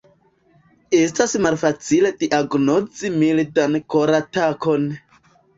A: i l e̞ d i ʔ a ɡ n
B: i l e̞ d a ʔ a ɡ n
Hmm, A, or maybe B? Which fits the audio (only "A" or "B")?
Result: A